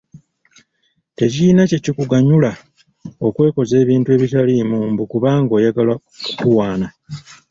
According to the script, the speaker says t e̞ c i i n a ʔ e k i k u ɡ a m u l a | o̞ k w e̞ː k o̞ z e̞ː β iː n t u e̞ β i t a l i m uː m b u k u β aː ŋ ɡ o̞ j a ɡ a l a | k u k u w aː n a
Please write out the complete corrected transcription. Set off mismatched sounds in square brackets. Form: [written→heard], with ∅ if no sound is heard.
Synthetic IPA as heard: t e̞ c i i n a [ʔ→c] e [k→c] i k u ɡ a [m→ɲ] u l a | o̞ k w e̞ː k o̞ z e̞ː β iː n t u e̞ β i t a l i m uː m b u k u β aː ŋ ɡ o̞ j a ɡ a l a | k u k u w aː n a